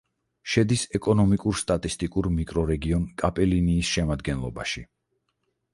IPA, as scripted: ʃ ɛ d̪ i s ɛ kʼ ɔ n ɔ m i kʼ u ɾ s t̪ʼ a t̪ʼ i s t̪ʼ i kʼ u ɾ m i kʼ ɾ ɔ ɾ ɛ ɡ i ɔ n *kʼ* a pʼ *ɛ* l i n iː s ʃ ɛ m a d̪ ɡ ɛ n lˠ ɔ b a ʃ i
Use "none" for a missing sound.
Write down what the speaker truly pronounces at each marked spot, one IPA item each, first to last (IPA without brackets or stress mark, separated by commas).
kʼ, ɛ